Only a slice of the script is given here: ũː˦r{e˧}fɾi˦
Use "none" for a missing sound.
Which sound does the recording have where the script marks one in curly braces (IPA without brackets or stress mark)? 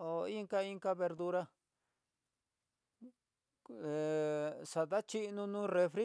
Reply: e˧